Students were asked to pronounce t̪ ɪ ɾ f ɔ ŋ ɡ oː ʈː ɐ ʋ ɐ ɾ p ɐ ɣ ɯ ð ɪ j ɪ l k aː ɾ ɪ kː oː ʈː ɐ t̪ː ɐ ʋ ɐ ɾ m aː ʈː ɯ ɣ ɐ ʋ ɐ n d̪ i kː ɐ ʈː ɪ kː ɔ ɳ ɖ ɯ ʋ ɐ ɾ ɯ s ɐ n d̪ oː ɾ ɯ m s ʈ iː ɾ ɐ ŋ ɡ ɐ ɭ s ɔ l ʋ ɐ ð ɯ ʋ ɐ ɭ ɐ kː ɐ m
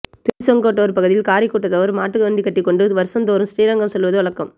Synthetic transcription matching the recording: t̪ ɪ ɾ s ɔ ŋ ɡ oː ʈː ɐ ʋ ɐ ɾ p ɐ ɣ ɯ ð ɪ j ɪ l k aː ɾ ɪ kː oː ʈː ɐ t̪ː ɐ ʋ ɐ ɾ m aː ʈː ɯ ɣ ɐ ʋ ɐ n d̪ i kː ɐ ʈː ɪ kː ɔ ɳ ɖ ɯ ʋ ɐ ɾ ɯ s ɐ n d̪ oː ɾ ɯ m s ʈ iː ɾ ɐ ŋ ɡ ɐ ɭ s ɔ l ʋ ɐ ð ɯ ʋ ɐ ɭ ɐ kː ɐ m